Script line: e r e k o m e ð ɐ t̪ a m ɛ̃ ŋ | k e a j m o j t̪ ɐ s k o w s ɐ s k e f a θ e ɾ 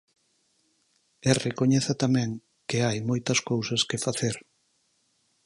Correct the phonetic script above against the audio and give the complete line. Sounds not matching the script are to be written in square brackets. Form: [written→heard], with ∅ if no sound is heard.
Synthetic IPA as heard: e r e k o [m→ɲ] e [ð→θ] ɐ t̪ a m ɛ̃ ŋ | k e a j m o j t̪ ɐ s k o w s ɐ s k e f a θ e ɾ